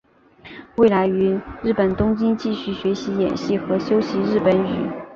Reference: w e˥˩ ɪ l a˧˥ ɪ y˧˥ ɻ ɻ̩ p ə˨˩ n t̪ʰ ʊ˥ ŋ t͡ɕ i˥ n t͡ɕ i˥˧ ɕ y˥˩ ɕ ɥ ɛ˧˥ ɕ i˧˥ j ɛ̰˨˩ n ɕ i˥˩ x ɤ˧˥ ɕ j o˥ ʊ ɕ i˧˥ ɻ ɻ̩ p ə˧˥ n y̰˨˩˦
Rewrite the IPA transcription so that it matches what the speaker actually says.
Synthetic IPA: w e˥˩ ɪ l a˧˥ ɪ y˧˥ ɻ ɻ̩ p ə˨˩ n t̪ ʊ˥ ŋ t͡ɕ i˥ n t͡ɕ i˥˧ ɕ y˥˩ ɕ ɥ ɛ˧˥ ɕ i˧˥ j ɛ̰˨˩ n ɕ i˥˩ x ɤ˧˥ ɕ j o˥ ʊ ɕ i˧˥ ɻ ɻ̩ p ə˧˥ n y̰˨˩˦